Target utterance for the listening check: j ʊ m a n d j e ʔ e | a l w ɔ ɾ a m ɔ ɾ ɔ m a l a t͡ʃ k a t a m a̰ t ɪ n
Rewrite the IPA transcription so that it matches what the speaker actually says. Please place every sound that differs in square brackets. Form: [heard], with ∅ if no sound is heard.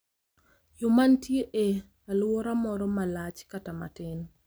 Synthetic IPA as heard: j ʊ m a n [t] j e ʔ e | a l w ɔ ɾ a m ɔ ɾ ɔ m a l a t͡ʃ k a t a m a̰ t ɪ n